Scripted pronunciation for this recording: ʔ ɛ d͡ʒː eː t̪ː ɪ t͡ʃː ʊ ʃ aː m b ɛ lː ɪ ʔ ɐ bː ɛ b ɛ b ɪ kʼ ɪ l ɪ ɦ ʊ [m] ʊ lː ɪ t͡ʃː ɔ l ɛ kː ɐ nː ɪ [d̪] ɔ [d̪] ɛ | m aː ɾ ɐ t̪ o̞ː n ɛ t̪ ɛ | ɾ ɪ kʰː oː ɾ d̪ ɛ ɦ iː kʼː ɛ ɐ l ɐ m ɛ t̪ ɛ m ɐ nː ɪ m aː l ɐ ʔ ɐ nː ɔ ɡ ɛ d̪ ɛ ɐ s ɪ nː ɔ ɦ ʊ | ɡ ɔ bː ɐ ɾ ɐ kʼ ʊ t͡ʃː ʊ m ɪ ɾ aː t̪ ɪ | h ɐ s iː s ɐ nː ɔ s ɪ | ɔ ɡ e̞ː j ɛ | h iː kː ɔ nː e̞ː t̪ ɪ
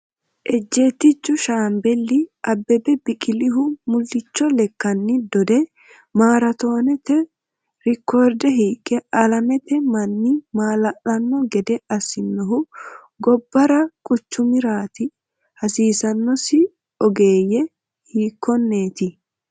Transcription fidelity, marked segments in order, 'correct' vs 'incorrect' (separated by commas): correct, correct, correct